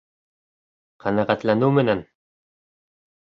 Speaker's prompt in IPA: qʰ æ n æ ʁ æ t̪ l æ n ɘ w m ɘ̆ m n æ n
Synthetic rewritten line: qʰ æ n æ ʁ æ t̪ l æ n ɘ w m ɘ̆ n æ n